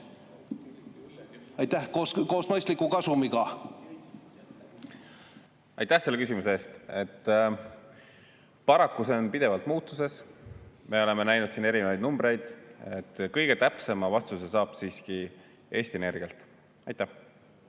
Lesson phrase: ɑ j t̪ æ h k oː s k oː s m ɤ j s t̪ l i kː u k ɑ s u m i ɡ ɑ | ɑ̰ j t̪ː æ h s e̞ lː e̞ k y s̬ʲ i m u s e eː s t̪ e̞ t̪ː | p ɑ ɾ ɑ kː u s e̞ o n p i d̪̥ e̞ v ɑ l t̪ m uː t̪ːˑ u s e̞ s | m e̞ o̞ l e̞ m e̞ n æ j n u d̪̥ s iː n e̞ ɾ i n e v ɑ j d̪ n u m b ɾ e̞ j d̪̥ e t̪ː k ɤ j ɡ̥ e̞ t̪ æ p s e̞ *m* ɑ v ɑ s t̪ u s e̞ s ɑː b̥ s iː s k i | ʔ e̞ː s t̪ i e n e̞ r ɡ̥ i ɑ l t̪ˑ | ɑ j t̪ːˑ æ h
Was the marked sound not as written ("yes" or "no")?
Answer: no